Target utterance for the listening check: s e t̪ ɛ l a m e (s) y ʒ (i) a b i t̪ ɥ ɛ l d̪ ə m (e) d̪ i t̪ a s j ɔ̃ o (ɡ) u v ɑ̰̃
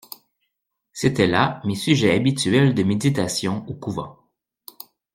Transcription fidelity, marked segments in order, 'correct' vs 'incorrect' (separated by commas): correct, incorrect, correct, incorrect